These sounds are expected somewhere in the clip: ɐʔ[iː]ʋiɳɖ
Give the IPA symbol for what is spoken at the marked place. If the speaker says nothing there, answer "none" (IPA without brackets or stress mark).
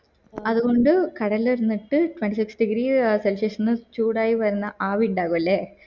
aː